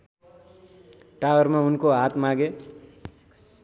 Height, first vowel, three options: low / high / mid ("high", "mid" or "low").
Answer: low